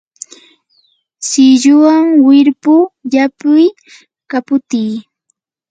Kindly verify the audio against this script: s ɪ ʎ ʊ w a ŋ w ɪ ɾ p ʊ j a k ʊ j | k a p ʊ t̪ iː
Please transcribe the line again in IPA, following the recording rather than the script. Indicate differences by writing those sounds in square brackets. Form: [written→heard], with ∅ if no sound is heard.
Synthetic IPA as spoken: s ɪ ʎ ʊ w a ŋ w ɪ ɾ p ʊ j a [k→p] ʊ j | k a p ʊ t̪ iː